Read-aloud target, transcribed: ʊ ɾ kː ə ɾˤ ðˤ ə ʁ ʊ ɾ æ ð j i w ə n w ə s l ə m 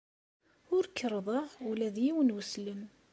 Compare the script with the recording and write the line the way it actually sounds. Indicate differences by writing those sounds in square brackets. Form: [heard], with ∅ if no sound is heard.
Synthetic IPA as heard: ʊ ɾ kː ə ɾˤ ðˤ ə ʁ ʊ [l] æ ð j i w ə n w ə s l ə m